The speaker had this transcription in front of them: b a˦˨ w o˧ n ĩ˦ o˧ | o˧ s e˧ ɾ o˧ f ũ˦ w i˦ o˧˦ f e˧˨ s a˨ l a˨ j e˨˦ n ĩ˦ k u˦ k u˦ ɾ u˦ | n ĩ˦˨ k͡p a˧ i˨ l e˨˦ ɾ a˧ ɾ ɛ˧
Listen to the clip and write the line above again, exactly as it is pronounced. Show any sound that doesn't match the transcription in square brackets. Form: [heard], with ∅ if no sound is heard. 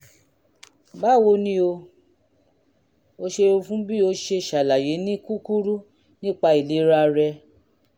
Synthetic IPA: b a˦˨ w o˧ n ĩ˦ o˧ | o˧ [ʃ] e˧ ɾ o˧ f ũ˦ [b] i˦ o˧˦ [ʃ] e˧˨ [ʃ] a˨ l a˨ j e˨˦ n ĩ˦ k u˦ k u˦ ɾ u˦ | n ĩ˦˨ k͡p a˧ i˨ l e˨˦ ɾ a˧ ɾ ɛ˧